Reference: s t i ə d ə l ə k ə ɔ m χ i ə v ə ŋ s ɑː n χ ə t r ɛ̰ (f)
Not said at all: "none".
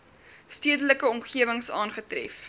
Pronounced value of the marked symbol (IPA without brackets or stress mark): f